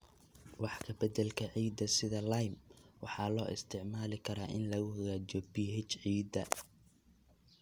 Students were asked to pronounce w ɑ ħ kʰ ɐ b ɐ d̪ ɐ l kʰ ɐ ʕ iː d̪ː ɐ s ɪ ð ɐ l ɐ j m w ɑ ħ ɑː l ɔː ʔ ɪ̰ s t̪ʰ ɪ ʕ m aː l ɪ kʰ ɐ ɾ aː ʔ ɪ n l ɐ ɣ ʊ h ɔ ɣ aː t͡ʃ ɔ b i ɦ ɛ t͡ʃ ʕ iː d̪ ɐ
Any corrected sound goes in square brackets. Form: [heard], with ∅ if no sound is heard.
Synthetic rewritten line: w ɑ ħ kʰ ɐ b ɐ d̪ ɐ l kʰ ɐ ʕ iː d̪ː ɐ s ɪ ð ɐ l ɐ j m w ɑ ħ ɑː l ɔː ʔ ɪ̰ s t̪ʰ ɪ ʕ m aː l ɪ kʰ ɐ ɾ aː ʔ ɪ n l ɐ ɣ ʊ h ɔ ɣ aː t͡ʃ ɔ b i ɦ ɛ t͡ʃ ʕ iː d̪ ɐ

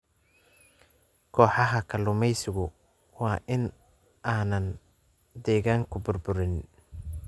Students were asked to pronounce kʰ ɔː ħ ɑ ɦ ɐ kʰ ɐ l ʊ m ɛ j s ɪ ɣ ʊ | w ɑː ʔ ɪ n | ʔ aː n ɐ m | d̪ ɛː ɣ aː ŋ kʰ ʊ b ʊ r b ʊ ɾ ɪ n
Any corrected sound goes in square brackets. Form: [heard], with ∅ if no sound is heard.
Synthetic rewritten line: kʰ ɔː ħ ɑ ɦ ɐ kʰ ɐ l ʊ m ɛ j s ɪ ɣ ʊ | w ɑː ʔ ɪ n | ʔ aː n ɐ [n] | d̪ ɛː ɣ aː ŋ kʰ ʊ b ʊ r b ʊ ɾ ɪ n

